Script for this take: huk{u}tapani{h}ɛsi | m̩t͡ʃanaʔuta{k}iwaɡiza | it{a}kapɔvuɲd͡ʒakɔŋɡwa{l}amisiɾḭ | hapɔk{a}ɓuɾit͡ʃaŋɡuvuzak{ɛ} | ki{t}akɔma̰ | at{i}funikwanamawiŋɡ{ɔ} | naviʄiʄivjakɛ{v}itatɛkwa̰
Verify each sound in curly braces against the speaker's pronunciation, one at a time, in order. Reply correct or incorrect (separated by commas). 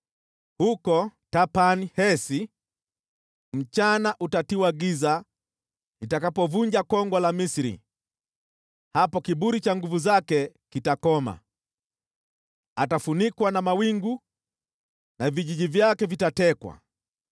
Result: incorrect, correct, incorrect, correct, correct, incorrect, correct, correct, incorrect, incorrect, correct